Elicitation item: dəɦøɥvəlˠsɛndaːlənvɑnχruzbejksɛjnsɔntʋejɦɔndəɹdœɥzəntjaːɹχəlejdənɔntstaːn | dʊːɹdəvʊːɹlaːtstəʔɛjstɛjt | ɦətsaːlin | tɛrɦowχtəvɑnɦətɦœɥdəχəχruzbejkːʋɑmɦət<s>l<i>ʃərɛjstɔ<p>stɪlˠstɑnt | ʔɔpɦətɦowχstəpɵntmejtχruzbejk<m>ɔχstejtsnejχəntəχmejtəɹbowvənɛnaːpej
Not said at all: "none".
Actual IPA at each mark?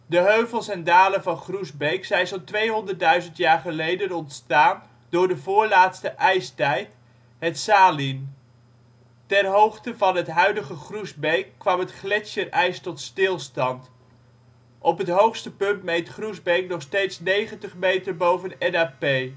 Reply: χ, ɛ, t, n

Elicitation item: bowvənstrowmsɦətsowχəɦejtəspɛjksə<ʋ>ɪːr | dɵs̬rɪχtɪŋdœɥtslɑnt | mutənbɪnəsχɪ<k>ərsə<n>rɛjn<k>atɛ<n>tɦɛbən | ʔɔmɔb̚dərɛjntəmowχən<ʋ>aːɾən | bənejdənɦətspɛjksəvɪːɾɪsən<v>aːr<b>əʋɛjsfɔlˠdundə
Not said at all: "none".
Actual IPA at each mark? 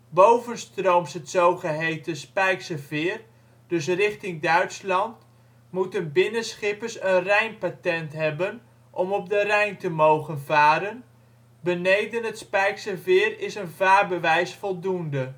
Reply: v, p, n, p, n, v, v, b

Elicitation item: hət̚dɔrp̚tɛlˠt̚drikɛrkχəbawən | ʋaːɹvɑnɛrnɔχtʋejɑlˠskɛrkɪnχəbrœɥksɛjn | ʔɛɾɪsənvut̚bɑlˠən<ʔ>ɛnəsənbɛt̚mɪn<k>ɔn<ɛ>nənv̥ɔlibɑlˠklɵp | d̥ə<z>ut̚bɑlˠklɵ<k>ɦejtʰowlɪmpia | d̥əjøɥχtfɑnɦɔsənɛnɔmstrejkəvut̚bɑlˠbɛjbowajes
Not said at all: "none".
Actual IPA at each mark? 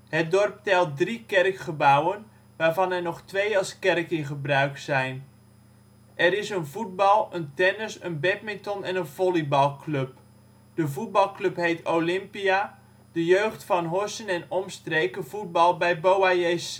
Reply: t, t, ɛ, v, p

